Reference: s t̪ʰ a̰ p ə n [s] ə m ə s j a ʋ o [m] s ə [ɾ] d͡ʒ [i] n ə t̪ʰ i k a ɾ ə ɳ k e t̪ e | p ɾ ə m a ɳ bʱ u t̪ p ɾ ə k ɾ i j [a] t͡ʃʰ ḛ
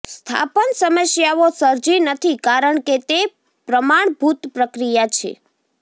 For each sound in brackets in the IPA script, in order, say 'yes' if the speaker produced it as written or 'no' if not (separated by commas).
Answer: yes, no, yes, yes, yes